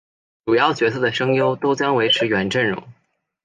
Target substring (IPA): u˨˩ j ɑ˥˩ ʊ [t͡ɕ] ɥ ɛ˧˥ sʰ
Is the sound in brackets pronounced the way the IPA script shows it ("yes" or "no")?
yes